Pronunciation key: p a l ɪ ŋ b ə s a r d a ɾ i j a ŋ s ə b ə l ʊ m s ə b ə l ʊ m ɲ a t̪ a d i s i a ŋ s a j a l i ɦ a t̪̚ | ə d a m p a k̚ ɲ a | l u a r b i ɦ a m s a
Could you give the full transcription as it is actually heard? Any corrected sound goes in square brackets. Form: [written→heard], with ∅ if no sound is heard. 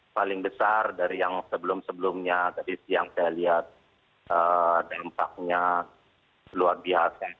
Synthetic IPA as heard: p a l ɪ ŋ b ə s a r d a ɾ i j a ŋ s ə b ə l ʊ m s ə b ə l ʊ m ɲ a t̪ a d i s i a ŋ s a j a l i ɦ a t̪̚ | ə d a m p a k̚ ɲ a | l u a r b i ɦ a [m→∅] s a